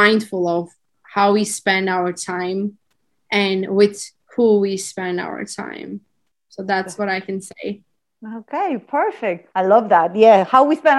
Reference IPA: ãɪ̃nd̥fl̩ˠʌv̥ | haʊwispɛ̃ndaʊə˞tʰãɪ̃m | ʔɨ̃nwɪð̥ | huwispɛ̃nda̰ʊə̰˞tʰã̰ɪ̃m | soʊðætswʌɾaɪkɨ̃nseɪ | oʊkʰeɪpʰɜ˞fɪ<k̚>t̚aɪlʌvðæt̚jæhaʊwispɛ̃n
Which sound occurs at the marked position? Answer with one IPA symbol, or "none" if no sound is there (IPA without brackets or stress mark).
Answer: k̚